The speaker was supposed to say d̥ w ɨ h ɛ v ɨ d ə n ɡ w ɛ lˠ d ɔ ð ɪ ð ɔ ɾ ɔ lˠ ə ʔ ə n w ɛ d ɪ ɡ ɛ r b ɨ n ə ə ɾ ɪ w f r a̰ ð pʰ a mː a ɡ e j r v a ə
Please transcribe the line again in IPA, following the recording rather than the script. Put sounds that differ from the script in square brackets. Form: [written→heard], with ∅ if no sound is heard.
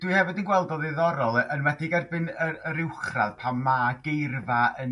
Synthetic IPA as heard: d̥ w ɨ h ɛ v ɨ d ə n ɡ w ɛ lˠ d ɔ ð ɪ ð ɔ ɾ ɔ lˠ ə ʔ ə n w ɛ d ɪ ɡ ɛ r b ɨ n ə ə ɾ ɪ w [f→χ] r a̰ ð pʰ a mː a ɡ e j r v a ə